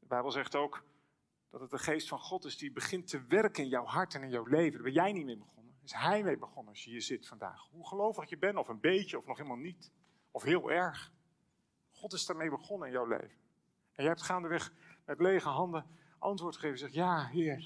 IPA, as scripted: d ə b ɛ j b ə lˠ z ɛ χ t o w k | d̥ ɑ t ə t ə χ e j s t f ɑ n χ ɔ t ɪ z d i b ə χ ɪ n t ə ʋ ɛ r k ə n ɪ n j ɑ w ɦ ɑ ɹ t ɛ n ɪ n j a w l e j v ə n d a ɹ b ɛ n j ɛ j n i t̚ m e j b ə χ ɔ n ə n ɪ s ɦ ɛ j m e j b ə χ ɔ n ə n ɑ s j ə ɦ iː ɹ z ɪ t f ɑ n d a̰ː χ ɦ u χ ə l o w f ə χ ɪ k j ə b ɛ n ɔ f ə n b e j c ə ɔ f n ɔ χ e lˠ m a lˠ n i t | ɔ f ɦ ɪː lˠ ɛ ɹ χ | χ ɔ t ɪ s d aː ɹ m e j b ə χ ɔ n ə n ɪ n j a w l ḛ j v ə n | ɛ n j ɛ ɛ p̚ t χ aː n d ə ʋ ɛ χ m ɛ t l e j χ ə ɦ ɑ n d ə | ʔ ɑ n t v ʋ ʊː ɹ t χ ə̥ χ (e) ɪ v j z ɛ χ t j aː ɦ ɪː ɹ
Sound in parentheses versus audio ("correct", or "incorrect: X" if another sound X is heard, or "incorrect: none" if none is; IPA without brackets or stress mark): correct